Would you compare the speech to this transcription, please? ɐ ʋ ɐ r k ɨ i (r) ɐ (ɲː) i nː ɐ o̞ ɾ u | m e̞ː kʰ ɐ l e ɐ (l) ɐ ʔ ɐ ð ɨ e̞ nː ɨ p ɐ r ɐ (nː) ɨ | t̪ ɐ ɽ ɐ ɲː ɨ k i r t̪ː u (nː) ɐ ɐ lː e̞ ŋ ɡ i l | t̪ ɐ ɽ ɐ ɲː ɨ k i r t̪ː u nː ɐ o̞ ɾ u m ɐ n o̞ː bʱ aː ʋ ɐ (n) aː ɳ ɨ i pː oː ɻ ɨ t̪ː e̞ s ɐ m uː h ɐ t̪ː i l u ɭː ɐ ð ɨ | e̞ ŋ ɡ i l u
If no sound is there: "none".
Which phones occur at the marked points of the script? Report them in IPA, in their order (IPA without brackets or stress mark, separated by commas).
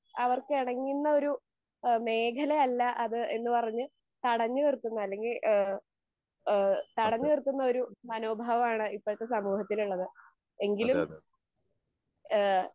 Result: ɽ, ŋː, lː, ɲː, nː, m